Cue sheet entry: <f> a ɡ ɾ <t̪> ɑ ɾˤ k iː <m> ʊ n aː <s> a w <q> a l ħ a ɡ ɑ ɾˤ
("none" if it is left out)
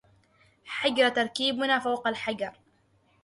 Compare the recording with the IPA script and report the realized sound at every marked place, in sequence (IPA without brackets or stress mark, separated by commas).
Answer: ħ, t̪, b, f, q